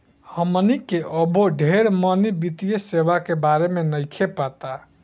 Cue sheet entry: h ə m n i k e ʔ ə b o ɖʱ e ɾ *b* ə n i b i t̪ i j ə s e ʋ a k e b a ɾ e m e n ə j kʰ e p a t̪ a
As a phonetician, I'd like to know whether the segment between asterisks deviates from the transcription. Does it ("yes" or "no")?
yes